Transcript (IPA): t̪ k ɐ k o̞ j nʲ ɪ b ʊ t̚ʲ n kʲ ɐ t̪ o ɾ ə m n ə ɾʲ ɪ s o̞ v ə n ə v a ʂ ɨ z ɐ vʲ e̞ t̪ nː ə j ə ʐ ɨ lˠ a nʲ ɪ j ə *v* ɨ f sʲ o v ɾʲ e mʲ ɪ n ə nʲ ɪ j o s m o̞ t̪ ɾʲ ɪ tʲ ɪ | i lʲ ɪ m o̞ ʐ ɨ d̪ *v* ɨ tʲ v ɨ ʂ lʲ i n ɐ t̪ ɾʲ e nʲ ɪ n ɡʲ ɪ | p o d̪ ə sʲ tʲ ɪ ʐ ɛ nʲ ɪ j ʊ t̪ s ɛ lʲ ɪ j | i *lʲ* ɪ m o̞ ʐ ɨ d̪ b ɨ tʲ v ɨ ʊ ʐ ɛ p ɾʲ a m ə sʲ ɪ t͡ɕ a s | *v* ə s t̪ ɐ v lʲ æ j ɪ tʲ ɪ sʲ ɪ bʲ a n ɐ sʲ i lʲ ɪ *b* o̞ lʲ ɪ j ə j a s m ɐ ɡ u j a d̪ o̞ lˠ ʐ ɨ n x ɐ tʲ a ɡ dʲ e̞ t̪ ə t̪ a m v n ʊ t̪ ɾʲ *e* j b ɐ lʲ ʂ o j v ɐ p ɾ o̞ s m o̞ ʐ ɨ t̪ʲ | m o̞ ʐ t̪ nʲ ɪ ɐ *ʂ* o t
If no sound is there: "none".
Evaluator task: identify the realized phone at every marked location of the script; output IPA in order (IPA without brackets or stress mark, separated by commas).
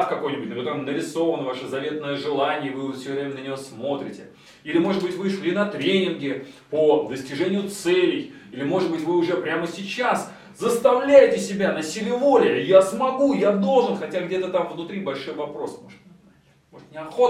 v, b, lʲ, z, v, i, x